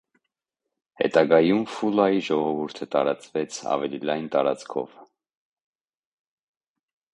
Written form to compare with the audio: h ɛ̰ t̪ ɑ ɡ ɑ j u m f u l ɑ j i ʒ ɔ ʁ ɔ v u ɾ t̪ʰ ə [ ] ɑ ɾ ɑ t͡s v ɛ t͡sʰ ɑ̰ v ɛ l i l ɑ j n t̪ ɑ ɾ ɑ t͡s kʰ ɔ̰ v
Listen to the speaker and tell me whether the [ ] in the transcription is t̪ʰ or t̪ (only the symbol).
t̪